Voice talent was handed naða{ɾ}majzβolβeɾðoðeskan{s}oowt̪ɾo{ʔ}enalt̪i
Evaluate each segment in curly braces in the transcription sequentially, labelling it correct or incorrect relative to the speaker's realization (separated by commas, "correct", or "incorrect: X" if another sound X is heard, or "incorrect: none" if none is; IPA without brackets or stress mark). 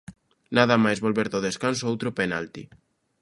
incorrect: none, correct, incorrect: p